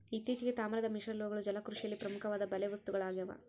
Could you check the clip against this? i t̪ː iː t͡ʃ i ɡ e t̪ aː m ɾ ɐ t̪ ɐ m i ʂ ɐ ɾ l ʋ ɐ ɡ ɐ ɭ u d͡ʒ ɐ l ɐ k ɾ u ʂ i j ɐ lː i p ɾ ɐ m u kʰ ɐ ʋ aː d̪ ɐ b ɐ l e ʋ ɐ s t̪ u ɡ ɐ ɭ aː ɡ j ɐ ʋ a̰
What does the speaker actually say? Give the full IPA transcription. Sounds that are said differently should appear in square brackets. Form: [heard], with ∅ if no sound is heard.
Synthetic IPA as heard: i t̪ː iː t͡ʃ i ɡ e t̪ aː m ɾ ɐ [d̪] ɐ m i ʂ ɐ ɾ l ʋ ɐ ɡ ɐ ɭ u d͡ʒ ɐ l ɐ k ɾ u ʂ i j ɐ lː i p ɾ ɐ m u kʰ ɐ ʋ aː d̪ ɐ b ɐ l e ʋ ɐ s t̪ u ɡ ɐ ɭ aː ɡ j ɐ ʋ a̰